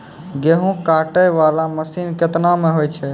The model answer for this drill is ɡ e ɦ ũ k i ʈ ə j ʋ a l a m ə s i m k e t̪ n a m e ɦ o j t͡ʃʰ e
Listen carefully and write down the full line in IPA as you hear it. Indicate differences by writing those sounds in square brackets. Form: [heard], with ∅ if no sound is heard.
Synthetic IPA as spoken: ɡ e ɦ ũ k [a] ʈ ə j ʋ a l a m ə s i [n] k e t̪ n a m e ɦ o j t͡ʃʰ [ɛ]